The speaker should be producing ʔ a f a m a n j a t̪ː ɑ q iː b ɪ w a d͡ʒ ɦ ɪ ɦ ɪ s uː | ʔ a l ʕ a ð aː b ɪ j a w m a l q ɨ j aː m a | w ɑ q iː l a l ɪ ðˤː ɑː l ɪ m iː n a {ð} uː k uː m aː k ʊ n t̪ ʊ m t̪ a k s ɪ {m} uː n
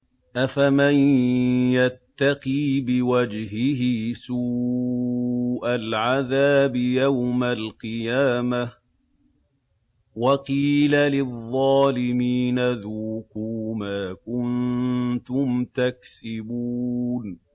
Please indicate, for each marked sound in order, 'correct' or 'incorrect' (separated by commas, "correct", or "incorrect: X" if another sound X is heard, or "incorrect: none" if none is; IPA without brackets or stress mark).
correct, incorrect: b